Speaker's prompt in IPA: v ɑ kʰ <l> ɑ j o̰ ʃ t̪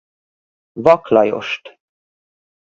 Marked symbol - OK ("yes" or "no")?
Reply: yes